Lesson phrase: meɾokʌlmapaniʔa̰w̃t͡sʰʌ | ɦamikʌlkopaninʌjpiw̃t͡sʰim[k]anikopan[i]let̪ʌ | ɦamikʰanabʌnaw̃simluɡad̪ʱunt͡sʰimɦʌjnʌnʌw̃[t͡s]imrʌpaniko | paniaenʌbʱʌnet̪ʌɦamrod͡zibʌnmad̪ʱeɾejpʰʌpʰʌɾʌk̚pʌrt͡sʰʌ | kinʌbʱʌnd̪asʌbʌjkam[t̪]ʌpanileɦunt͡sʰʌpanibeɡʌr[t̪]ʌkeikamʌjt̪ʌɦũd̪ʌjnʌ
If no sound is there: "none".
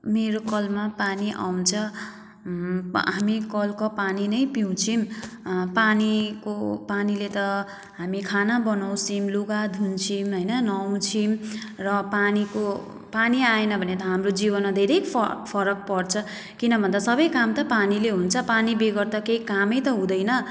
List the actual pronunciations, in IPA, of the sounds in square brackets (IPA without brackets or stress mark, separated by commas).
p, i, t͡sʰ, t̪, t̪